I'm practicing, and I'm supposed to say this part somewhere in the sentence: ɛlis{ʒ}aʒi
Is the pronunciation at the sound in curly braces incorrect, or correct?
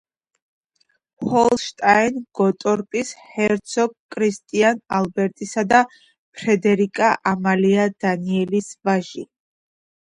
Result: incorrect